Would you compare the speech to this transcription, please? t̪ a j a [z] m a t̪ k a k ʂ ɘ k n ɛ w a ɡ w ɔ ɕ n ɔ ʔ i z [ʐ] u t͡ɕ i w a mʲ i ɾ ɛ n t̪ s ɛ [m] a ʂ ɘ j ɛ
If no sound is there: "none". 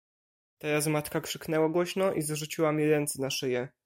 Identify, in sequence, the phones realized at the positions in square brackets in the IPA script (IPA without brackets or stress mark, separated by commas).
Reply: z, ʐ, n